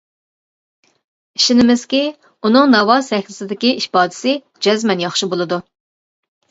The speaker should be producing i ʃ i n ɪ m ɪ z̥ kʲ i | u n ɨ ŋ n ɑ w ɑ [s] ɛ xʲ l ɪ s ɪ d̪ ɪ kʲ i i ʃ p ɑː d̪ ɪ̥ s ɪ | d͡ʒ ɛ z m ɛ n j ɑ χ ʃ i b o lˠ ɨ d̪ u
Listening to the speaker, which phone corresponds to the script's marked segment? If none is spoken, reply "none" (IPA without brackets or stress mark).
s